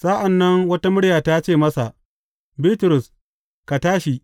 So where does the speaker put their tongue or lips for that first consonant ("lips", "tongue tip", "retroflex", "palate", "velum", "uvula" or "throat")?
tongue tip